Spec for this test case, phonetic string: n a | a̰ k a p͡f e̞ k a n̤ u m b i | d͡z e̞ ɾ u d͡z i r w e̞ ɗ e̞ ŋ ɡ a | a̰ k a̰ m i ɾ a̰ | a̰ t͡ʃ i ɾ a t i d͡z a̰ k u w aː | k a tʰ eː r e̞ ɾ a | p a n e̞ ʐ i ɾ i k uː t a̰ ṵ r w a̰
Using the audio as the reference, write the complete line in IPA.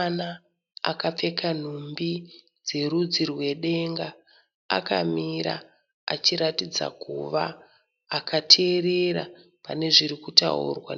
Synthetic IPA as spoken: n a | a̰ k a p͡f e̞ k a n̤ u m b i | d͡z e̞ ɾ u d͡z i r w e̞ ɗ e̞ ŋ ɡ a | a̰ k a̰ m i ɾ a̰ | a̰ t͡ʃ i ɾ a t i d͡z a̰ k u ʋ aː | k a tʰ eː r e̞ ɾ a | p a n e̞ ʐ i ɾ i k u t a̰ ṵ r w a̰